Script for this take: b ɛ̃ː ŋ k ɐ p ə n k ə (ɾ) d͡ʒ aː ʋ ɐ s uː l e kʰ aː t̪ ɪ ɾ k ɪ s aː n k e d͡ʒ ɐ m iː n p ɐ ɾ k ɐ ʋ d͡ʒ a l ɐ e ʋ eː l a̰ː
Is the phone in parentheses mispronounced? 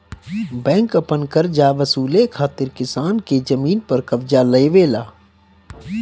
no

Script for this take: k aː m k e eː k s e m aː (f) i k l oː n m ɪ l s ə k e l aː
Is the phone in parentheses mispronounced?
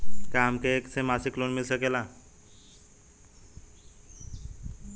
yes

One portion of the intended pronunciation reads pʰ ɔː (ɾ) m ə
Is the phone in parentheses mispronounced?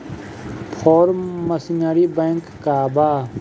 no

